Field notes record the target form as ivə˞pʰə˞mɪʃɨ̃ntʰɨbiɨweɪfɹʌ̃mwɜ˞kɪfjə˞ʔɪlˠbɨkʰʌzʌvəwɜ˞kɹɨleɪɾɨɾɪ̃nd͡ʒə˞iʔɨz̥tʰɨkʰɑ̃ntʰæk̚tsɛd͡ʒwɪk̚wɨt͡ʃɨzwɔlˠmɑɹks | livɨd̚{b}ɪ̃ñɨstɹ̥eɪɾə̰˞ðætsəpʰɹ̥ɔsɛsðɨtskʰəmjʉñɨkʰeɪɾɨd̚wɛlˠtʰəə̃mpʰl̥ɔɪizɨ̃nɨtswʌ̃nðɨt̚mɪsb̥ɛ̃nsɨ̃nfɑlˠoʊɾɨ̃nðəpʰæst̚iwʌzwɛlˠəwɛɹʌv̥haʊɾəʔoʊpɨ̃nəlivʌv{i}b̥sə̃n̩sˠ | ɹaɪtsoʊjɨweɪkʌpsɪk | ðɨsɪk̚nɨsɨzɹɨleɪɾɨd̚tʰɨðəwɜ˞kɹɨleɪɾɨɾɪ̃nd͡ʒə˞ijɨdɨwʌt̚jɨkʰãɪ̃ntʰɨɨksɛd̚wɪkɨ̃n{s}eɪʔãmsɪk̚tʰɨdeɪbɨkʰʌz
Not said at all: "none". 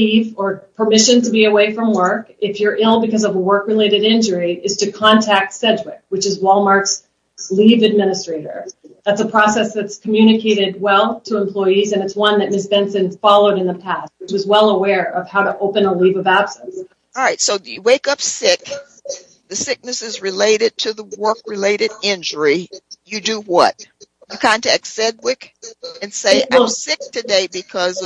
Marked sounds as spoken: m, æ, s

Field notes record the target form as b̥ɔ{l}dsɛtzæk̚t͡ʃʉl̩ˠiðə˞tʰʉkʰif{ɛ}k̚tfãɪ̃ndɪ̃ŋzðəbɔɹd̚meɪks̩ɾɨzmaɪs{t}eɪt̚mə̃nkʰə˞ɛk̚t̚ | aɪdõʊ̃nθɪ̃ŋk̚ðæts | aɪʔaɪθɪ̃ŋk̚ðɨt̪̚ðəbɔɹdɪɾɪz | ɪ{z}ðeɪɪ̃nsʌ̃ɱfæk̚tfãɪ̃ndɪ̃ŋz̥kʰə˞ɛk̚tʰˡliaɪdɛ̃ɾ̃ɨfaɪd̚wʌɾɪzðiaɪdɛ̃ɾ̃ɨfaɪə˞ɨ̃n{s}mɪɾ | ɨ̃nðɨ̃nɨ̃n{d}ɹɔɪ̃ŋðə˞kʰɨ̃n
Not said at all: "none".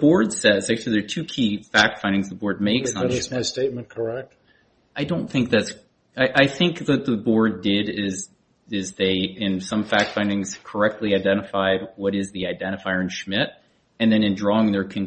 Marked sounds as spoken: ɹ, æ, t, z, ʃ, d

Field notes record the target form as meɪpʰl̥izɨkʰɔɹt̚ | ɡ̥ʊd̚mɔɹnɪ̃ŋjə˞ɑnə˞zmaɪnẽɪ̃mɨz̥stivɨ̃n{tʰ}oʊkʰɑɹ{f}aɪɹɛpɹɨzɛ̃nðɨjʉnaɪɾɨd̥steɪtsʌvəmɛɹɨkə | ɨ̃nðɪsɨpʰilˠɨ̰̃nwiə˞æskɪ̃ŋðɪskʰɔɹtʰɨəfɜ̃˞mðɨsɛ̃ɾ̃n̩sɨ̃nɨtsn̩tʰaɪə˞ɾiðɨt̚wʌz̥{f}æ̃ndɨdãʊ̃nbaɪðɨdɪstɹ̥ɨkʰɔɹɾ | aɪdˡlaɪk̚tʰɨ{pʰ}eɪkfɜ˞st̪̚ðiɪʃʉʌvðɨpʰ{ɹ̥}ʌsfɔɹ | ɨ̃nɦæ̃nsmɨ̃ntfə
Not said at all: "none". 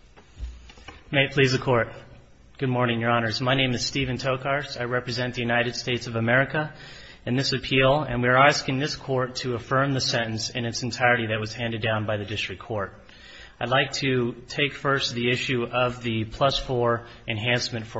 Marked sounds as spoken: tʰ, s, h, tʰ, l̥

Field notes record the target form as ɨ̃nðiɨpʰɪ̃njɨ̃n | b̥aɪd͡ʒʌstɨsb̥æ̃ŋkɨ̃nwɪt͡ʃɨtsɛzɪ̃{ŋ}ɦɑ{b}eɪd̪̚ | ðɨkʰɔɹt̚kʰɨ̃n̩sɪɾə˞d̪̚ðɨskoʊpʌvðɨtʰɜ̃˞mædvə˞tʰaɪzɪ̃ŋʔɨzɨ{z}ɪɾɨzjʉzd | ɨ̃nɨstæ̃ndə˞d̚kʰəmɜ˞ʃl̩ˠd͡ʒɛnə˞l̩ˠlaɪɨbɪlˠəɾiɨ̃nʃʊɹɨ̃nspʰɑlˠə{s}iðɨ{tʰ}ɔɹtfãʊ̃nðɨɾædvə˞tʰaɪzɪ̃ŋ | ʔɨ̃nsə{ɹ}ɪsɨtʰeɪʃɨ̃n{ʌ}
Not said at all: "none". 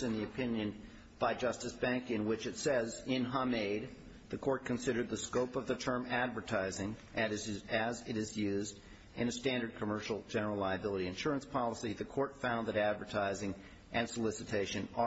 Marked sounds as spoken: n, m, z, s, kʰ, l, ə

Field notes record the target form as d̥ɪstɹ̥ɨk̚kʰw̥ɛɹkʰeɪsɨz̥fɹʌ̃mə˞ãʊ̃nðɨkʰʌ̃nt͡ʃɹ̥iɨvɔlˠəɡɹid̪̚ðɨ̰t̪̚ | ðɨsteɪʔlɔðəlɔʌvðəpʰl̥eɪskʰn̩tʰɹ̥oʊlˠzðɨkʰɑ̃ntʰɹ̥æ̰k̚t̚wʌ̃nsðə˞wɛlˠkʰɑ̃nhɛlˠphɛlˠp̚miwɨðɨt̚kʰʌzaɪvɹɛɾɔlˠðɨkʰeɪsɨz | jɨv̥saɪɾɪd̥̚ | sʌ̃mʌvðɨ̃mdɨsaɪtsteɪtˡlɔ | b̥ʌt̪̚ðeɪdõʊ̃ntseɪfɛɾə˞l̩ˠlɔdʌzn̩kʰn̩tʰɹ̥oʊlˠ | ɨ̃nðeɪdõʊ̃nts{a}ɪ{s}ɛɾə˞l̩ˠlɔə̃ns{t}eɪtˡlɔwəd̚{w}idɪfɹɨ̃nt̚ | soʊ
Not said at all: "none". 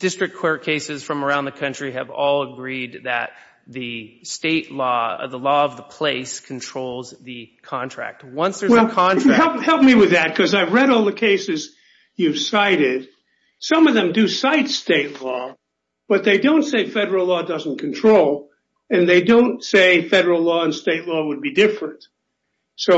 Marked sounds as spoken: e, f, t, b

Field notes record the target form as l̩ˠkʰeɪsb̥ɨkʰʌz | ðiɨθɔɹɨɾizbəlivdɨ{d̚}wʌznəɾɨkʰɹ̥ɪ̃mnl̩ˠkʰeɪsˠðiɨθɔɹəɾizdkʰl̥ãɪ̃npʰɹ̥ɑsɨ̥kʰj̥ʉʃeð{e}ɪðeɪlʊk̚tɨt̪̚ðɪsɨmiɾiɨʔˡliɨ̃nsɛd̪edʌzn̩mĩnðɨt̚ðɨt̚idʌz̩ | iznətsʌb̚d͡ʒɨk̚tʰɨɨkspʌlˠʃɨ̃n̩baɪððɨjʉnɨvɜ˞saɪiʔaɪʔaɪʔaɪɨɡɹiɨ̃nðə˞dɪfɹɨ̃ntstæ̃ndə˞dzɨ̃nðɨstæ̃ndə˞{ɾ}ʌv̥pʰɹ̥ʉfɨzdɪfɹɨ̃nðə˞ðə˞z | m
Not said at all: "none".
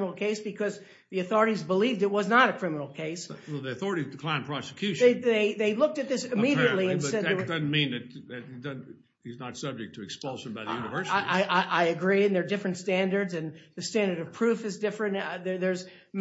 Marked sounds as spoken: t̚, e, ɾ

